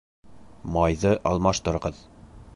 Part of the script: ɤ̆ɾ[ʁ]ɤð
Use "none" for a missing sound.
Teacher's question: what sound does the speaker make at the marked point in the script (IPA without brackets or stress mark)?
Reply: ʁ